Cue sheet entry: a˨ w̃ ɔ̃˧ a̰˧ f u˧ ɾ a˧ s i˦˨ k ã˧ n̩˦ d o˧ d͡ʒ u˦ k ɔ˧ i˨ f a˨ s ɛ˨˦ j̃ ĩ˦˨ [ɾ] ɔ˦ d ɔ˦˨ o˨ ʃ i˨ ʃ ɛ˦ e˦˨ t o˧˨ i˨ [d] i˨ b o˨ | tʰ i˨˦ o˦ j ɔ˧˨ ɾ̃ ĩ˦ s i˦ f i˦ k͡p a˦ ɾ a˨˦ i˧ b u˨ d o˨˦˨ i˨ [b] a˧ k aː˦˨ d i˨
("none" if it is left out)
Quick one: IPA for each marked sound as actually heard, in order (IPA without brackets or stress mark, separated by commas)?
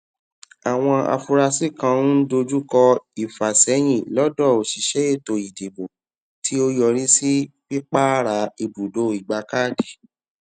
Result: l, d, ɡ͡b